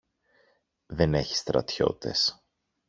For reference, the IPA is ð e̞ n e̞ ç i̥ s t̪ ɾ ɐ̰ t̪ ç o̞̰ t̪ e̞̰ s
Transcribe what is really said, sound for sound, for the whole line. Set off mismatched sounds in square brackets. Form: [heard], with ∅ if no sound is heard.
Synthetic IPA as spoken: ð e̞ n e̞ ç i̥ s t̪ ɾ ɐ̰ t̪ ç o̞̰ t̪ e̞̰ s

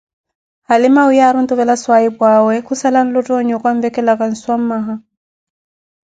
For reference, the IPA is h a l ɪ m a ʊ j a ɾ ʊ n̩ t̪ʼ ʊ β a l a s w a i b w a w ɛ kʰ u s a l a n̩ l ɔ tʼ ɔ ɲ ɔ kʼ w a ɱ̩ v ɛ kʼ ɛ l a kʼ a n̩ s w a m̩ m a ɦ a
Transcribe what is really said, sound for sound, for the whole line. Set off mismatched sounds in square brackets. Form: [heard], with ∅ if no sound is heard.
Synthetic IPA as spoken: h a l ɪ m a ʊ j a ɾ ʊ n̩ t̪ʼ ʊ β [ɛ] l a s w a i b w a w ɛ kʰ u s a l a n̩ l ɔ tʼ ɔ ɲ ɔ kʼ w a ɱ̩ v ɛ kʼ ɛ l a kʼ a n̩ s w a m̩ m a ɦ a

